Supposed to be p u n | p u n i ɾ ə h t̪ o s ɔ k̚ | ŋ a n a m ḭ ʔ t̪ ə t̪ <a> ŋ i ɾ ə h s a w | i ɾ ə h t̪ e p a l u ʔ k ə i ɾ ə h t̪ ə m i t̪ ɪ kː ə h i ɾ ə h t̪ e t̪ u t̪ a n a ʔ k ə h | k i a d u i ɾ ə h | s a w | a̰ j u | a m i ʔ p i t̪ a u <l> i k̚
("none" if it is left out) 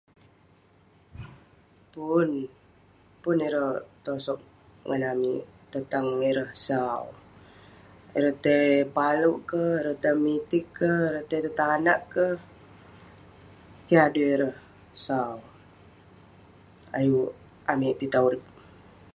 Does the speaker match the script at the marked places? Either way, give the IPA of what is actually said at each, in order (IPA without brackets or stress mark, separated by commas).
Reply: a, ɾ